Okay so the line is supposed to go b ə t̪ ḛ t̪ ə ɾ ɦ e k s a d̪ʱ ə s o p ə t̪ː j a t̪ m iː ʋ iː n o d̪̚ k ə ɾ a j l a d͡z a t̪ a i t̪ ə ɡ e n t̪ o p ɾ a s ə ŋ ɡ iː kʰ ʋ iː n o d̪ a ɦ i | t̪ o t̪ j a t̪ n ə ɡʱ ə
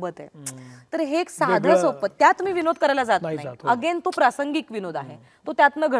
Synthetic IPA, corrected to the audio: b ə t̪ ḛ t̪ ə ɾ ɦ e k s a d̪ʱ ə s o p ə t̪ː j a t̪ m iː ʋ i n o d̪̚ k ə ɾ a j l a d͡z a t̪ a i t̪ ə ɡ e n t̪ o p ɾ a s ə ŋ ɡ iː k ʋ i n o d̪ a ɦ e | t̪ o t̪ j a t̪ n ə ɡʱ ə